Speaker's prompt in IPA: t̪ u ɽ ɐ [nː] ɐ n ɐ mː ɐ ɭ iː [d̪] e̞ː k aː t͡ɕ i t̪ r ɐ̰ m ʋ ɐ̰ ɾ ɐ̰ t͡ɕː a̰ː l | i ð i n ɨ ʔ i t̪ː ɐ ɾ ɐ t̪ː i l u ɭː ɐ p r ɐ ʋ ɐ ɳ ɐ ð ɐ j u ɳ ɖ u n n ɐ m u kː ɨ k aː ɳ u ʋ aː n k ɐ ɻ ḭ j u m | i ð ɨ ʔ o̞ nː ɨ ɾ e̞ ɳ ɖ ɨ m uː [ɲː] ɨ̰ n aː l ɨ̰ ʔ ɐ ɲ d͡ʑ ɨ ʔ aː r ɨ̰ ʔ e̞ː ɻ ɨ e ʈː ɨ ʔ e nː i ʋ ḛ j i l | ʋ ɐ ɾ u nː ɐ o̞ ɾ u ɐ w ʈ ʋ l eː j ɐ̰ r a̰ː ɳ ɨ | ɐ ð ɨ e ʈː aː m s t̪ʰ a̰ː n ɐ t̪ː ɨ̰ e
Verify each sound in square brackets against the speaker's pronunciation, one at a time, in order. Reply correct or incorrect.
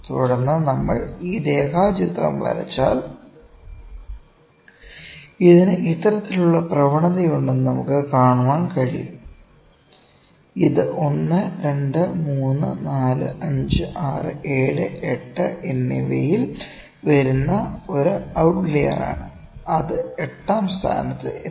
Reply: correct, correct, incorrect

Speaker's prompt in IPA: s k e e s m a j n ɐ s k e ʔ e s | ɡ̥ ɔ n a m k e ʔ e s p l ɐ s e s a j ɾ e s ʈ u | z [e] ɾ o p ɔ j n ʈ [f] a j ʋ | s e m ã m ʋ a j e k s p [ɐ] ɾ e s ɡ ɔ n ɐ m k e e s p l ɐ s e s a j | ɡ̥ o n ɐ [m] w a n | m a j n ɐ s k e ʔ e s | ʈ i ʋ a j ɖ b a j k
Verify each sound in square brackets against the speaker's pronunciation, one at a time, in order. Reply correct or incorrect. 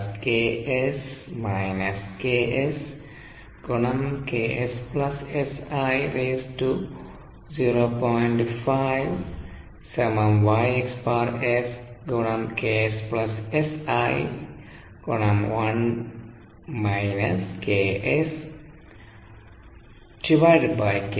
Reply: incorrect, correct, incorrect, correct

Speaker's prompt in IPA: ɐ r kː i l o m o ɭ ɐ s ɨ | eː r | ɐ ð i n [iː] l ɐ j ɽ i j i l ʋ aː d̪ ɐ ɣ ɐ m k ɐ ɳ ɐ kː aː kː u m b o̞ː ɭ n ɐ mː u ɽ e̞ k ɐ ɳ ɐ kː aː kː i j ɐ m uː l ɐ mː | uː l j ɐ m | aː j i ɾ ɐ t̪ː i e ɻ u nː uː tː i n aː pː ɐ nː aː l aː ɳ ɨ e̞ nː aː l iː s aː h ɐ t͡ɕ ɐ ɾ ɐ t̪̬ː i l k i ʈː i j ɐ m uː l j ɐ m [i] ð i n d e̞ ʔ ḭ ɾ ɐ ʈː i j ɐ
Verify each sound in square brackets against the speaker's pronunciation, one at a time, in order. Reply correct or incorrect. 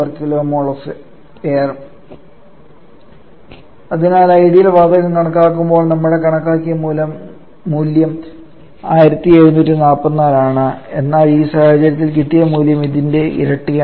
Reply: incorrect, correct

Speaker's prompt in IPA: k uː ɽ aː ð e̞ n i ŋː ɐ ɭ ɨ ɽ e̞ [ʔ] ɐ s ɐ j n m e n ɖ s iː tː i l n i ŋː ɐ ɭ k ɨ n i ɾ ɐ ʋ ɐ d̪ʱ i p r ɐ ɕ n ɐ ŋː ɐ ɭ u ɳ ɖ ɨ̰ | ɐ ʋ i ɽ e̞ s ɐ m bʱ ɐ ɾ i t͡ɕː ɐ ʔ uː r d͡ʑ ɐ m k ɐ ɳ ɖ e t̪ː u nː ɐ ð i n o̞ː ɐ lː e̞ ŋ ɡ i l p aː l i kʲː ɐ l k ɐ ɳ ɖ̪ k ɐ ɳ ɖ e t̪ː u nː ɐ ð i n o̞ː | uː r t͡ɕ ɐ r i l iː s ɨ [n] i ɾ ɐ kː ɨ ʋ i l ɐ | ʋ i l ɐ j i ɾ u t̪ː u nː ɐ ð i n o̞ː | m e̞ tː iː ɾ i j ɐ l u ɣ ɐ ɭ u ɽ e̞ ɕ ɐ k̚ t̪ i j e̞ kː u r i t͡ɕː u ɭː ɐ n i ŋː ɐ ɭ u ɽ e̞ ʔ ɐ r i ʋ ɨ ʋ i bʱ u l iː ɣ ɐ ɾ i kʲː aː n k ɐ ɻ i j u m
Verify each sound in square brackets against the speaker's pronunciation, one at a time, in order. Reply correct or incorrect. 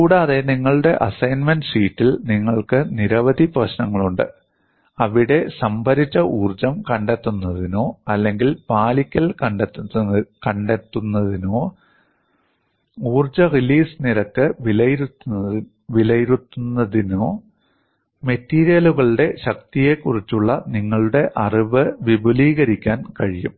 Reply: correct, correct

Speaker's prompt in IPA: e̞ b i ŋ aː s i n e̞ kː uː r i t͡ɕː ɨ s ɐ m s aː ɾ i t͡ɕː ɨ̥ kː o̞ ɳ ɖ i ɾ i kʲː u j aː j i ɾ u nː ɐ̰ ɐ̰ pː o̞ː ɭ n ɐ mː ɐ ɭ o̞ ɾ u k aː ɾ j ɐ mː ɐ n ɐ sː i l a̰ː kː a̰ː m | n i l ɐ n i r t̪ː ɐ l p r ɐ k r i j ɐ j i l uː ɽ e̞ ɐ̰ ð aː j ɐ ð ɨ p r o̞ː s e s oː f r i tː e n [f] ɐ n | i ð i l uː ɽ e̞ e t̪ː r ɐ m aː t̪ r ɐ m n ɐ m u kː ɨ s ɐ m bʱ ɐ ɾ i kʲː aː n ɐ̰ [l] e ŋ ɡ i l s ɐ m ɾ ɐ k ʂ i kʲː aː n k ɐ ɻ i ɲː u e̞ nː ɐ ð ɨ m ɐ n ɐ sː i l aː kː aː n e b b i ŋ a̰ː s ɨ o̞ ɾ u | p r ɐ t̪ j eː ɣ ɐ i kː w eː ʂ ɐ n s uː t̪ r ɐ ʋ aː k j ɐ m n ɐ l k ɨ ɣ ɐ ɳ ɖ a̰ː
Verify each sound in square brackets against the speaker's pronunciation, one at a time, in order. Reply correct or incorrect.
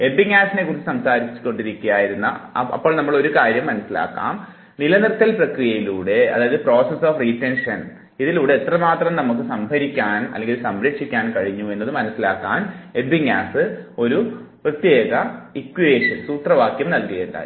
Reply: incorrect, incorrect

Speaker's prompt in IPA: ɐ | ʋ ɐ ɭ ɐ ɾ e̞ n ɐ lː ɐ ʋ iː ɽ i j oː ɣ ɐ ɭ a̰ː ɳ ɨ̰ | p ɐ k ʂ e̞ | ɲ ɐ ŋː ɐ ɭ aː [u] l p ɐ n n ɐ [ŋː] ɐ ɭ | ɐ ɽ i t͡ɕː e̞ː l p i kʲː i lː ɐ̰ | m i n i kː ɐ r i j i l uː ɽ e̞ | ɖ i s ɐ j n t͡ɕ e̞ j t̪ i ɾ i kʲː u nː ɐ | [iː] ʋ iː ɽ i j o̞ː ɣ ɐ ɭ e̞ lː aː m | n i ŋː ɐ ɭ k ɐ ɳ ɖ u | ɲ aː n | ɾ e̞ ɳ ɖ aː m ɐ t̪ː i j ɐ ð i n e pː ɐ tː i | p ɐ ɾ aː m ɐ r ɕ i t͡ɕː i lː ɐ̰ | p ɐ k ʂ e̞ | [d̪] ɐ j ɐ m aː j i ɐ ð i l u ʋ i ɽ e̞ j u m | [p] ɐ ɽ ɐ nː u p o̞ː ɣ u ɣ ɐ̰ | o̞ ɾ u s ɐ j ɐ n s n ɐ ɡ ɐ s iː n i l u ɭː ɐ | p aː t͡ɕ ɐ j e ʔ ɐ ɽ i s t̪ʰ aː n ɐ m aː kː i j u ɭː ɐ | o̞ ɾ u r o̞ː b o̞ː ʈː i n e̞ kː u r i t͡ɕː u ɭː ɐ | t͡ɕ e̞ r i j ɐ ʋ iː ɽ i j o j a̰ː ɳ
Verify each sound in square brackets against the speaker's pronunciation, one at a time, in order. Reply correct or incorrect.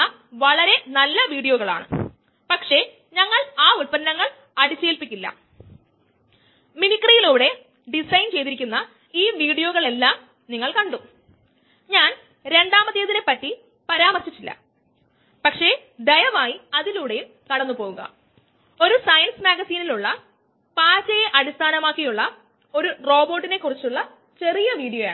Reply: correct, correct, correct, correct, incorrect

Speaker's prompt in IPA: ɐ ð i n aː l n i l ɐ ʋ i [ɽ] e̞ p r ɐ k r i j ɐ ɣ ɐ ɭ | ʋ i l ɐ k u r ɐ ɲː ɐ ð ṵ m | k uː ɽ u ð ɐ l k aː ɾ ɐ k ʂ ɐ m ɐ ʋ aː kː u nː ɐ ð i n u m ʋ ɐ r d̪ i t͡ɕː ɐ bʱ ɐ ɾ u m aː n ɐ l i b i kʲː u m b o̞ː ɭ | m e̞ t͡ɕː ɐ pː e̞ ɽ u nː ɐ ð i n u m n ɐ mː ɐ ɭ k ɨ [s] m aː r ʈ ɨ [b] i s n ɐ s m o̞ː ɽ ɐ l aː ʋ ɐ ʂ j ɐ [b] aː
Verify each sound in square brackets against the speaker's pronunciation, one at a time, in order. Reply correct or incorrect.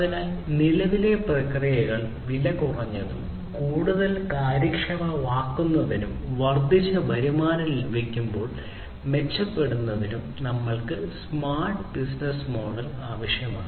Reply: incorrect, correct, correct, incorrect

